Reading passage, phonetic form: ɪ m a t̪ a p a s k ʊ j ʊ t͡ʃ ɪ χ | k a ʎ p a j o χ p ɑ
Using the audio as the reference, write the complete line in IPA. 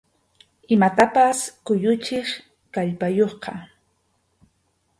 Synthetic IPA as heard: ɪ m a t̪ a p a s k ʊ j ʊ t͡ʃ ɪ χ | k a ʎ p a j o χ q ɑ